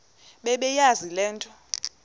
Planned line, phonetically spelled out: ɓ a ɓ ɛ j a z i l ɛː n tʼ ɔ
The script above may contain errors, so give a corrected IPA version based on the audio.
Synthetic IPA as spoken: ɓ ɛ ɓ ɛ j a z i l ɛː n tʼ ɔ